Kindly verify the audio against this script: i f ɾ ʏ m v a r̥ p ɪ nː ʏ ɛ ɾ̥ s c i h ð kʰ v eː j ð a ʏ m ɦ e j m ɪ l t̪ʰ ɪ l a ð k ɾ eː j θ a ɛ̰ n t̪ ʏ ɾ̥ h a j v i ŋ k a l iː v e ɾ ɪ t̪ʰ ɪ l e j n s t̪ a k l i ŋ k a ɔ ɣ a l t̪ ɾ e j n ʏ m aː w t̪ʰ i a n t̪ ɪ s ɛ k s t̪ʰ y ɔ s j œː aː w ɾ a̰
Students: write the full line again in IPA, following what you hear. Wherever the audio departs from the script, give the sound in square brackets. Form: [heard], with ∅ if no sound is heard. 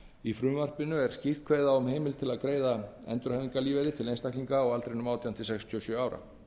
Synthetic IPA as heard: i f ɾ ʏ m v a r̥ p ɪ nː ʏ ɛ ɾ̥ s c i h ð kʰ v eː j ð a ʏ m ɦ e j m ɪ l t̪ʰ ɪ l a ð k ɾ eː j [ð] a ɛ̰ n t̪ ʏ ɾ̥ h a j v i ŋ k a l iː v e ɾ ɪ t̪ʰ ɪ l e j n s t̪ a k l i ŋ k a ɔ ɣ a l t̪ ɾ e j n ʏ m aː w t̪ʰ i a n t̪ ɪ s ɛ k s t̪ʰ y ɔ s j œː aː w ɾ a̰